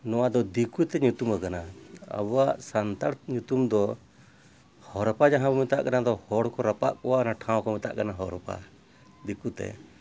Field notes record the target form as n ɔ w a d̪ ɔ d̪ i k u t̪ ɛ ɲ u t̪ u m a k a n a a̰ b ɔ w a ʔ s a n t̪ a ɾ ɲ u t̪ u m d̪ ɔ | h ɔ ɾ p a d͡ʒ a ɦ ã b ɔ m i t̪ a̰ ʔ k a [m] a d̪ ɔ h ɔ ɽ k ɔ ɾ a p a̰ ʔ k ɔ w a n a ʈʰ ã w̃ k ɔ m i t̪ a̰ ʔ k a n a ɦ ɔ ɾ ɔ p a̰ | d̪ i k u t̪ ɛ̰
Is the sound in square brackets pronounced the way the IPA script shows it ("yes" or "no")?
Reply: no